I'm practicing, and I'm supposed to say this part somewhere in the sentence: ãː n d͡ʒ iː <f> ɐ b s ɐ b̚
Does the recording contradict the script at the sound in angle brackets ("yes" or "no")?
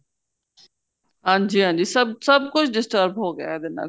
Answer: yes